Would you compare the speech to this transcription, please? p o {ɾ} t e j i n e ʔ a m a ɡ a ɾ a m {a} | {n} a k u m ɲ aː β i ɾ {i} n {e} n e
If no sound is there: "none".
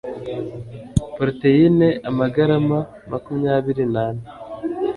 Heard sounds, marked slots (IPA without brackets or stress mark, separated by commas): ɾ, a, m, i, a